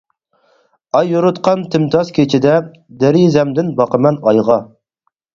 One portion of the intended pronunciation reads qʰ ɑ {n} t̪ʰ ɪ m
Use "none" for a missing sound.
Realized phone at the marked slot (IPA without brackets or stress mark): n